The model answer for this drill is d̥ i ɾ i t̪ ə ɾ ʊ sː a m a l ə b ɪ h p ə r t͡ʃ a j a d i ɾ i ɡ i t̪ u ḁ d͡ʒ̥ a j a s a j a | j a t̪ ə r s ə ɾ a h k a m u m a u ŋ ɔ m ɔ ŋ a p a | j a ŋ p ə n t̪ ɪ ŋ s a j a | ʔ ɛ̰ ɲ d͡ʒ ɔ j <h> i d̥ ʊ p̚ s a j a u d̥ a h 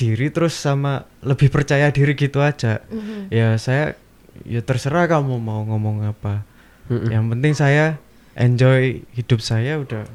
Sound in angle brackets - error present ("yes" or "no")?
no